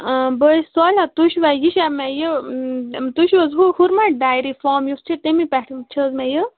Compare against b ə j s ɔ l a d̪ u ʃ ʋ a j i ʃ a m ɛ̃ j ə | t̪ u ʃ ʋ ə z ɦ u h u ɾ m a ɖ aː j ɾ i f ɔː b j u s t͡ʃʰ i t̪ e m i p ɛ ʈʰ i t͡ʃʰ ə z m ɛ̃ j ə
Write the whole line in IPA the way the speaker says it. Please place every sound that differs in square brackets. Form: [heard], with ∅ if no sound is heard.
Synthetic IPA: b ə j s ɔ l a [t̪] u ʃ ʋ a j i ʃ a m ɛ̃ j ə | t̪ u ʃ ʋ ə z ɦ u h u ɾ m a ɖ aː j ɾ i f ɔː [m] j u s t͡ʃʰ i t̪ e m i p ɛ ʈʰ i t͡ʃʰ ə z m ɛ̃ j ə

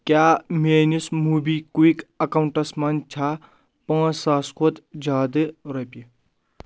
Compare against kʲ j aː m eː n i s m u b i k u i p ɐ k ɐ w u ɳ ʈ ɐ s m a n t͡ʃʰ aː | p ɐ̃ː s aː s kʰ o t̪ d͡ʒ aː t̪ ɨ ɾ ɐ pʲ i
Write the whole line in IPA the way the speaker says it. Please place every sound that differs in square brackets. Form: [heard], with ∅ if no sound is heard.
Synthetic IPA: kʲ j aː m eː n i s m u b i k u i [k] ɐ k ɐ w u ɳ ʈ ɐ s m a n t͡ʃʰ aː | p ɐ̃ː s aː s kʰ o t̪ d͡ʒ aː [d̪] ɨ ɾ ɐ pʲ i

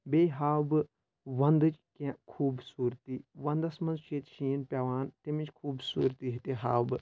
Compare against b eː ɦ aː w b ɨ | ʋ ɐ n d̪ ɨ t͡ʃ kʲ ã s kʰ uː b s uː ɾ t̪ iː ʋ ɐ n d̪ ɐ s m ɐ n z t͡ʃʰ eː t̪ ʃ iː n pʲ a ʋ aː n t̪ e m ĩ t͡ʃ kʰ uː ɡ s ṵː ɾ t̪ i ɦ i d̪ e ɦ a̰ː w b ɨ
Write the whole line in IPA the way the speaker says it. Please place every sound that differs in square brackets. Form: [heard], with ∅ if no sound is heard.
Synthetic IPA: b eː ɦ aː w b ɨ | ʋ ɐ n d̪ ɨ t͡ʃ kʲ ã [∅] kʰ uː b s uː ɾ t̪ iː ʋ ɐ n d̪ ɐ s m ɐ n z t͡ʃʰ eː t̪ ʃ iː n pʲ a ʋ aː n t̪ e m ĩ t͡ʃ kʰ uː [b] s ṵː ɾ t̪ i ɦ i [t̪] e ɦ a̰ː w b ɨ

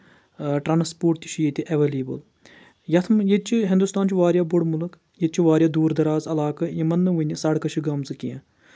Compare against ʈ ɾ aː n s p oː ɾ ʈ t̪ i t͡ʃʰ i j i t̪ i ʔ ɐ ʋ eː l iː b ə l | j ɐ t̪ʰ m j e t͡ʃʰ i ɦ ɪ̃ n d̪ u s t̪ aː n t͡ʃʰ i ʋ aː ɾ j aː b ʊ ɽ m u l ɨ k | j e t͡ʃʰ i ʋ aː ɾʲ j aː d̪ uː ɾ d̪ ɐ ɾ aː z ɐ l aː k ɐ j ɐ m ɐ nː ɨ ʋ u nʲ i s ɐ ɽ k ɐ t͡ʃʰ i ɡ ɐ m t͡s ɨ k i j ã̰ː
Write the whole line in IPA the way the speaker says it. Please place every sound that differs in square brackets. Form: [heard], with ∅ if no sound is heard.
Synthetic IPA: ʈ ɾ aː n s p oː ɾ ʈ t̪ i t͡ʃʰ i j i t̪ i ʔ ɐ ʋ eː l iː b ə l | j ɐ t̪ʰ m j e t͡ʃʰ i ɦ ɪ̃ n d̪ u s t̪ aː n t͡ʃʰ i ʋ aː ɾ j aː b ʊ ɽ m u l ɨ k | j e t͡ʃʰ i ʋ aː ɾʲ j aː d̪ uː ɾ d̪ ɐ ɾ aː z ɐ l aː k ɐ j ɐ m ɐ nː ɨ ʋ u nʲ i s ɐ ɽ k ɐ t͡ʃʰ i ɡ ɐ m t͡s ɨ k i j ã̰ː

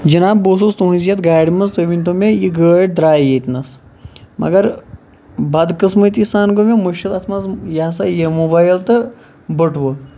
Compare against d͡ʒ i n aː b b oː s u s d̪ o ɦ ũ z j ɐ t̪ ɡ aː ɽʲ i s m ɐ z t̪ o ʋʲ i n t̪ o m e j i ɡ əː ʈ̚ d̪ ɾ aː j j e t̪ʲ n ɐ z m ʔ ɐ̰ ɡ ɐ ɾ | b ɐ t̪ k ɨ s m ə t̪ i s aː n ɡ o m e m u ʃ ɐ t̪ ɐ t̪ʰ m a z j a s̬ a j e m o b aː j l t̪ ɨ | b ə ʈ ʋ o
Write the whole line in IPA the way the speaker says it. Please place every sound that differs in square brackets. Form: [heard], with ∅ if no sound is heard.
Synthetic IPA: d͡ʒ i n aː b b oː s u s [t̪] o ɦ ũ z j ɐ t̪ ɡ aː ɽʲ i [∅] m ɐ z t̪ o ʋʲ i n t̪ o m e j i ɡ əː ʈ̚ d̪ ɾ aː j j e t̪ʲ n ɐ [s] m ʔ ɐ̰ ɡ ɐ ɾ | b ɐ [d̪] k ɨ s m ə t̪ i s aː n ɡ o m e m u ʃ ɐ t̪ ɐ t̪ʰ m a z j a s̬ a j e m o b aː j l t̪ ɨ | b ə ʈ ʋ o

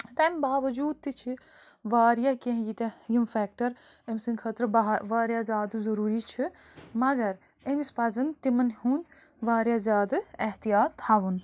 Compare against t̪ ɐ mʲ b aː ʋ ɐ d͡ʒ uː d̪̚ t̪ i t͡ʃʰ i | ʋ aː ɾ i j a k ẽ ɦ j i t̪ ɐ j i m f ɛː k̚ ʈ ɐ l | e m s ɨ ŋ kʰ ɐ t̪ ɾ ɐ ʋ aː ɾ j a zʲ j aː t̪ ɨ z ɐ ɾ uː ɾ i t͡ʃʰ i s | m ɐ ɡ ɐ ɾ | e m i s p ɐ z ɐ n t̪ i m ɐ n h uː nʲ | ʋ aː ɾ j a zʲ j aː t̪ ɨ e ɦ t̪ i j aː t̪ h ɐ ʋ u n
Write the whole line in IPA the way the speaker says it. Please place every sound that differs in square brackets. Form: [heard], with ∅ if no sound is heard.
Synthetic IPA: t̪ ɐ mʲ b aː ʋ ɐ d͡ʒ uː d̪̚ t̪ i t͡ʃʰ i | ʋ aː ɾ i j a k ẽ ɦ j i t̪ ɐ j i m f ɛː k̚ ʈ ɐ [ɾ] | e m s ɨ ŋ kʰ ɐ t̪ ɾ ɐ ʋ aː ɾ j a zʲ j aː [d̪] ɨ z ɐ ɾ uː ɾ i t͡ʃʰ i [∅] | m ɐ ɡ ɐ ɾ | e m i s p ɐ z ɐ n t̪ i m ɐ n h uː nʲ | ʋ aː ɾ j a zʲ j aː [d̪] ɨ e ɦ t̪ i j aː t̪ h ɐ ʋ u n

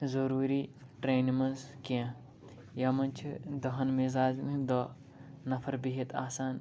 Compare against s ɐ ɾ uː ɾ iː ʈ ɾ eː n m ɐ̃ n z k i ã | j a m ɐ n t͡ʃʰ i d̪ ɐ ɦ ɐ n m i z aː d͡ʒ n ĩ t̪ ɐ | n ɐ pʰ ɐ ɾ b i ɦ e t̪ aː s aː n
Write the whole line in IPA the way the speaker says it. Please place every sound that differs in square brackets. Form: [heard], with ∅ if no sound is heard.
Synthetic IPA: [z] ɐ ɾ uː ɾ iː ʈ ɾ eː n m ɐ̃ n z k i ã | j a m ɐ n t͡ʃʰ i d̪ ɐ ɦ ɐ n m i z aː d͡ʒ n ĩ [d̪] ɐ | n ɐ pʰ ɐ ɾ b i ɦ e t̪ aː s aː n

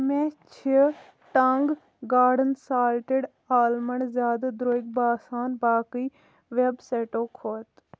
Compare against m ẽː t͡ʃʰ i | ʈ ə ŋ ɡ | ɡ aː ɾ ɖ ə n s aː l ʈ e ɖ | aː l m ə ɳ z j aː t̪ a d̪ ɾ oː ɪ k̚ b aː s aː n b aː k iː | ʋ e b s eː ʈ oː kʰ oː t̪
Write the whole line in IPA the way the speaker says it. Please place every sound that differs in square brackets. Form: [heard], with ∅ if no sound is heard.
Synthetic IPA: m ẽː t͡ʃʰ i | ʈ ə ŋ ɡ | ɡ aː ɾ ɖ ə n s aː l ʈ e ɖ | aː l m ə ɳ z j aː [d̪] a d̪ ɾ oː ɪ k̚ b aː s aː n b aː k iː | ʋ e b s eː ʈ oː kʰ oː t̪

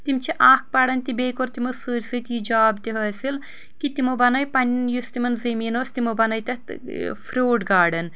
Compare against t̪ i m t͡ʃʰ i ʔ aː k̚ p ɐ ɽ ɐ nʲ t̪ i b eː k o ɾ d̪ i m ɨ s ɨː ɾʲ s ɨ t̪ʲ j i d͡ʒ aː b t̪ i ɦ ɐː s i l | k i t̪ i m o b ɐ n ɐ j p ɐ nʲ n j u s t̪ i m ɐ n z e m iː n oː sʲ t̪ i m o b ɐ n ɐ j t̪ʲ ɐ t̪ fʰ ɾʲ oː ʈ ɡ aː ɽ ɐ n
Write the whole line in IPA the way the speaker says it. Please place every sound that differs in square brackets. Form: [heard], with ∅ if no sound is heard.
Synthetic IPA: t̪ i m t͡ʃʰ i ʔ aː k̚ p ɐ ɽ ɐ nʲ t̪ i b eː k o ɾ [t̪] i m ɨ s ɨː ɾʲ s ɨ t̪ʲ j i d͡ʒ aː b t̪ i ɦ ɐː s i l | k i t̪ i m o b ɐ n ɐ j p ɐ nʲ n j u s t̪ i m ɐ n z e m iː n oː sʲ t̪ i m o b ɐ n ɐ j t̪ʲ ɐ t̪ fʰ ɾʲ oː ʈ ɡ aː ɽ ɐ n

